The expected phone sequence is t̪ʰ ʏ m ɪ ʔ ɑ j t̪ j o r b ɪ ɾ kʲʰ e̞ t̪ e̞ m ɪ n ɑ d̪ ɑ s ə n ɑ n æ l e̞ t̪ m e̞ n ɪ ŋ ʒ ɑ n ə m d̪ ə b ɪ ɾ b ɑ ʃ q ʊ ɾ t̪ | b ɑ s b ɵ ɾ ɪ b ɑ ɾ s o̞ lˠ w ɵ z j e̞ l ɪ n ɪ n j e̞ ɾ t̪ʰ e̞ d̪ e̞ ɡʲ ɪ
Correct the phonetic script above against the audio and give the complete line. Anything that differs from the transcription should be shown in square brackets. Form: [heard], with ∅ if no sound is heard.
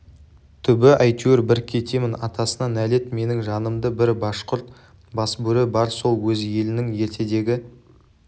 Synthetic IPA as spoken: t̪ʰ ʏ [b] ɪ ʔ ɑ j t̪ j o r b ɪ ɾ kʲʰ e̞ t̪ e̞ m ɪ n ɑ [t̪] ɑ s ə n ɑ n æ l e̞ t̪ m e̞ n ɪ ŋ ʒ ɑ n ə m d̪ ə b ɪ ɾ b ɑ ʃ q ʊ ɾ t̪ | b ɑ s b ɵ ɾ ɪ b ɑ ɾ s o̞ lˠ w ɵ z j e̞ l ɪ n ɪ [ŋ] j e̞ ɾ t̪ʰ e̞ d̪ e̞ ɡʲ ɪ